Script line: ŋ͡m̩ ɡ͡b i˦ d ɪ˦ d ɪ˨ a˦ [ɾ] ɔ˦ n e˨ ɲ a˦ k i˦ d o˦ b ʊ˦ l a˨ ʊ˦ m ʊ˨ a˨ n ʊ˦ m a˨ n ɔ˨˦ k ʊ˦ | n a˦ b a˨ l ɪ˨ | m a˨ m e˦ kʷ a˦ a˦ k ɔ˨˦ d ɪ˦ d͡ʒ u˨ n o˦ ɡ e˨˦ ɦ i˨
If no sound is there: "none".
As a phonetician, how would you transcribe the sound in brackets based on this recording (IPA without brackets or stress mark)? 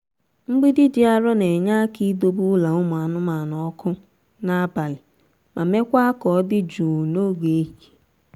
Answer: ɾ